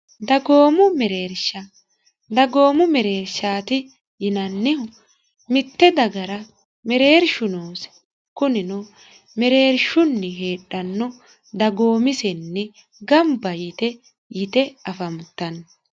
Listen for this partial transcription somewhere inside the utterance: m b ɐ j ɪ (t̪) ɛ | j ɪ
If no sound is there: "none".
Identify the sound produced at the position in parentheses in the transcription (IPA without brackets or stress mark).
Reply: t̪